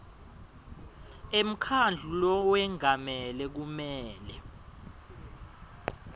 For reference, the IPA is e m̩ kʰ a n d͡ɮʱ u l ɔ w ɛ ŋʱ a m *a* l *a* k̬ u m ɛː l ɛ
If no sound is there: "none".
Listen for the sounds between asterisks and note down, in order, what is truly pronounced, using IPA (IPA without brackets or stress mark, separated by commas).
ɛ, ɛ